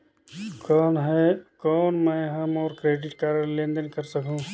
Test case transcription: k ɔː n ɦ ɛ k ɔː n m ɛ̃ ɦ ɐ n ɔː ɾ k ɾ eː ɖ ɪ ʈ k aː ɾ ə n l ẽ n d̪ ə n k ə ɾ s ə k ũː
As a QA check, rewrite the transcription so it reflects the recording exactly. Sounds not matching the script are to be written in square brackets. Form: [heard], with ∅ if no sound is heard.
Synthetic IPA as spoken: k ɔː n ɦ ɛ k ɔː n m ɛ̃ ɦ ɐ [m] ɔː ɾ k ɾ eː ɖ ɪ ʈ k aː ɾ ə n l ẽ n d̪ ə n k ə ɾ s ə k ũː